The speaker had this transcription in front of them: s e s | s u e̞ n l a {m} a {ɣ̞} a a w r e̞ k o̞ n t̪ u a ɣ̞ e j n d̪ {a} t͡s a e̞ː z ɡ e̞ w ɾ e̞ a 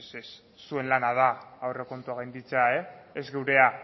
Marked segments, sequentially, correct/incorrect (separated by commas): incorrect, incorrect, incorrect